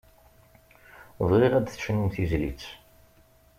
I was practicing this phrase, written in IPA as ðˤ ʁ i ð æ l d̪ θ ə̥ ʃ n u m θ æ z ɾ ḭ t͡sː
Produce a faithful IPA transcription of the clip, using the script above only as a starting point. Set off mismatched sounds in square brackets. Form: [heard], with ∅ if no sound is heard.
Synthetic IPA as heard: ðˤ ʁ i [ʁ] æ [∅] d̪ θ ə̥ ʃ n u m θ [i] z [l] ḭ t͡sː

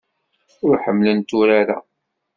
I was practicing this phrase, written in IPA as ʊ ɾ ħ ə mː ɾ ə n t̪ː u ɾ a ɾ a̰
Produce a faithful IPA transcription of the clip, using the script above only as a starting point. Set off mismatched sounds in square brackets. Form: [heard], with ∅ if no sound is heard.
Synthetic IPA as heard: ʊ ɾ ħ ə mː [l] ə n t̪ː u ɾ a ɾ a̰

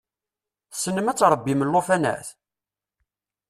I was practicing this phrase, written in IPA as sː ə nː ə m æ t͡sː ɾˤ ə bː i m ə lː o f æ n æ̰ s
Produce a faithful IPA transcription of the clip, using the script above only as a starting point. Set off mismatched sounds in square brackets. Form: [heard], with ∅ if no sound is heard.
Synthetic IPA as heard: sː ə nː ə m æ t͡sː ɾˤ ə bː i m ə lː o f æ n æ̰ [θ]

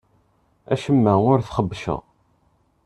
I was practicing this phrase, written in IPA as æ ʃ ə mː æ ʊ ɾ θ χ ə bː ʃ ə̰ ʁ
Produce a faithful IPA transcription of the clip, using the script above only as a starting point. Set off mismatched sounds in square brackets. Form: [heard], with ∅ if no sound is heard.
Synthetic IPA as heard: æ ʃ ə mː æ ʊ ɾ θ χ ə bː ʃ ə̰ ʁ

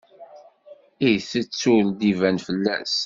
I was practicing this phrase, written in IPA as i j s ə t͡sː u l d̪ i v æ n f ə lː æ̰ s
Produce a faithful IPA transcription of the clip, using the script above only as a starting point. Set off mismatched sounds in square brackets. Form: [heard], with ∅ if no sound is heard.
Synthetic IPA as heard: i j [θ] ə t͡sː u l d̪ i v æ n f ə lː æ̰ s

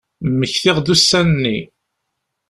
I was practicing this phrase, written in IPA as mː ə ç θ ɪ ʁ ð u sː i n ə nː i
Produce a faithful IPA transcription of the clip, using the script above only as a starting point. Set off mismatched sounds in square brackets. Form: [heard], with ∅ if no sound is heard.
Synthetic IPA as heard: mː ə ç θ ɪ ʁ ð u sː [æ] n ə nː i

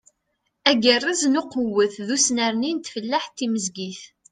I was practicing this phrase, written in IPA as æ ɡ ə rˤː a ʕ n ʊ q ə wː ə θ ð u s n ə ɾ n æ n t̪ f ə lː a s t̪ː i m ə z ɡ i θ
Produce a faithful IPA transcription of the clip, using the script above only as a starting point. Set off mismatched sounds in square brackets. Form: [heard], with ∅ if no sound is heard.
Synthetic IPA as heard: æ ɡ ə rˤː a [z] n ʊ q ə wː ə θ ð u s n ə ɾ n [i] n t̪ f ə lː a [ħ] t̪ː i m ə z ɡ i θ

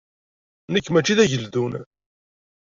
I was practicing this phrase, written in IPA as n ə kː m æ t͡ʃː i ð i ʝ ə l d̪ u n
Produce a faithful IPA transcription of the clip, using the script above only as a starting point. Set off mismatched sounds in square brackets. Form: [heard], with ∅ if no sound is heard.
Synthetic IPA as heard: n ə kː m æ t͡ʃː i ð [æ] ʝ ə l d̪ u n

